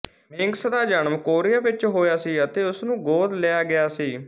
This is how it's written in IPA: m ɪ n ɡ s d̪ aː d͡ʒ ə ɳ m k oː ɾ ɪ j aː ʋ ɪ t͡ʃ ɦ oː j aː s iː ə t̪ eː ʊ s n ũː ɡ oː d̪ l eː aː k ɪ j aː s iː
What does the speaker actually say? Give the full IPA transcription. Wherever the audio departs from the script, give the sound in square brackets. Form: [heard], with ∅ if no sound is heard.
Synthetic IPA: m ɪ [ŋ] ɡ s d̪ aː d͡ʒ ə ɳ m k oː ɾ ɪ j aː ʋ ɪ t͡ʃ ɦ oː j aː s iː ə t̪ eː ʊ s n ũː ɡ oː d̪ l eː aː [ɡ] ɪ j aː s iː